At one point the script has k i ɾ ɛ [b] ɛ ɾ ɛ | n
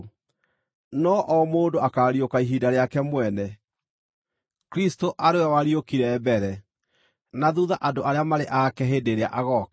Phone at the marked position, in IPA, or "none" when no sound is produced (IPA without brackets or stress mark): b